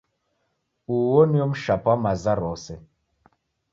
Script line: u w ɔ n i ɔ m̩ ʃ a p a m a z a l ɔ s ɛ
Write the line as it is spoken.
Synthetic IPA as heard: u w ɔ n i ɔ m̩ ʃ a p a m a z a ɾ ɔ s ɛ

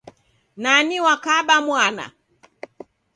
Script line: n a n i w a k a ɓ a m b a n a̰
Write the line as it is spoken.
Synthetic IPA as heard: n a n i w a k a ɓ a m w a n a̰

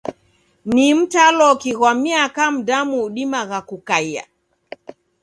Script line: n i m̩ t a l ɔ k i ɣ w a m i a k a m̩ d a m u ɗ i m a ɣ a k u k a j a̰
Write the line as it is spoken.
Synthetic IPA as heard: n i m̩ t a l ɔ k i ɣ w a m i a k a m̩ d a m u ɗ i m a ɣ a k u k a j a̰

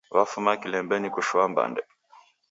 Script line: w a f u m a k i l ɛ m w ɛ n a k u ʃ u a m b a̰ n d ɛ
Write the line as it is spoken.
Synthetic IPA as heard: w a f u m a k i l ɛ m b ɛ n i k u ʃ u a m b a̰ n d ɛ

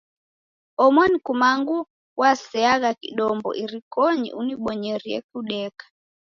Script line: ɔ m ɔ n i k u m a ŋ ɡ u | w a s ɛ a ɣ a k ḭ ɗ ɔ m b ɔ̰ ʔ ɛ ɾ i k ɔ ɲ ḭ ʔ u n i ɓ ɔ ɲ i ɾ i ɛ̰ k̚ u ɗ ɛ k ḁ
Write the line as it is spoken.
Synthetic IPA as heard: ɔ m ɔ n i k u m a ŋ ɡ u | w a s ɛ a ɣ a k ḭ ɗ ɔ m b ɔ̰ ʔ i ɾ i k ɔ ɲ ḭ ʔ u n i ɓ ɔ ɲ ɛ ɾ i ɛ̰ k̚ u ɗ ɛ k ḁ

